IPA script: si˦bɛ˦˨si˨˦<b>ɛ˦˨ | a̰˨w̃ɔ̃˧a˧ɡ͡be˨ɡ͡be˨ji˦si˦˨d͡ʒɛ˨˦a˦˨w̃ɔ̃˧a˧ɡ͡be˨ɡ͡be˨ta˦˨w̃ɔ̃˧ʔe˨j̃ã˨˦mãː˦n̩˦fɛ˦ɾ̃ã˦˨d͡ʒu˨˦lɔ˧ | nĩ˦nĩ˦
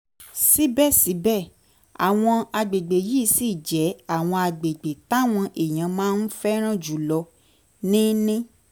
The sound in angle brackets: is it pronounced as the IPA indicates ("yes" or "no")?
yes